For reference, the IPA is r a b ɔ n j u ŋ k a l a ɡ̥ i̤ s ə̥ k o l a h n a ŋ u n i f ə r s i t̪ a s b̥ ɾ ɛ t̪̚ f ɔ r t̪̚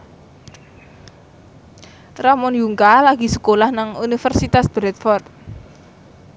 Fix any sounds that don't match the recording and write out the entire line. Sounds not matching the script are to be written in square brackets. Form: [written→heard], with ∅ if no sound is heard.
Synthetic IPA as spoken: r a [b→m] ɔ n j u ŋ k a l a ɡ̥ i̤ s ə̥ k o l a h n a ŋ u n i f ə r s i t̪ a s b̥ ɾ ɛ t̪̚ f ɔ r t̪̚